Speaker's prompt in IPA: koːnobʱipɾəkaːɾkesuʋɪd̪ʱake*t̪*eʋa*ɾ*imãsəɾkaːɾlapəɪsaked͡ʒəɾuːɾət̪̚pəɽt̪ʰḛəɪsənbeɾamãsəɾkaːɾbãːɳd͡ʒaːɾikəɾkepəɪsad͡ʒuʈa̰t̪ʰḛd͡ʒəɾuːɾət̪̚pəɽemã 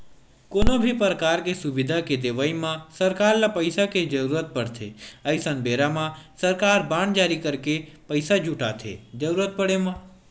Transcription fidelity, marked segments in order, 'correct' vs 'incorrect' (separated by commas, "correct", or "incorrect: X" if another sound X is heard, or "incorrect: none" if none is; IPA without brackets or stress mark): incorrect: d̪, incorrect: none